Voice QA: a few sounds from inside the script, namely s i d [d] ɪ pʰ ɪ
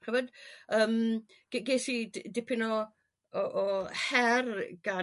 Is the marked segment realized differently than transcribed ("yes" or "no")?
no